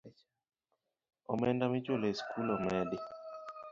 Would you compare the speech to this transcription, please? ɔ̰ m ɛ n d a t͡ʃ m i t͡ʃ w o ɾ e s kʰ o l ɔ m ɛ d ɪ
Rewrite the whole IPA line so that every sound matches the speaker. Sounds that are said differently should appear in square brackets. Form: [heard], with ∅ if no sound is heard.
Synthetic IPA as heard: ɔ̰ m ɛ n d a [∅] m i t͡ʃ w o [l] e s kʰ [u] l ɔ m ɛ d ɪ